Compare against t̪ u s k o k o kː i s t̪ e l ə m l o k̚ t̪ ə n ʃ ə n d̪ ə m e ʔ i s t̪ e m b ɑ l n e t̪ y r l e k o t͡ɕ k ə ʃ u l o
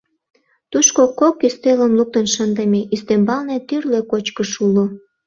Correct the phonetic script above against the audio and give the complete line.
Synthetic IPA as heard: t̪ u ʃ k o k o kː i s t̪ e l ə m l u k̚ t̪ ə n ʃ ə n d̪ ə m e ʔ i s t̪ e m b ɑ l n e t̪ y r l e k o t͡ɕ k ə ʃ u l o